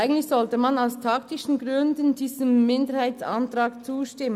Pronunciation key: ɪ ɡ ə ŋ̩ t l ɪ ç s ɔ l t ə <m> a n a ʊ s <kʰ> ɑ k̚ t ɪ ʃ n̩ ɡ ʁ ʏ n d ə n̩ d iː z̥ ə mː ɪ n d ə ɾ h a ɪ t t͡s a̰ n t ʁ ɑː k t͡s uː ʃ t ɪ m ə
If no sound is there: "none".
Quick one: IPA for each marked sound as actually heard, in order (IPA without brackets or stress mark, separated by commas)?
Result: m, tʰ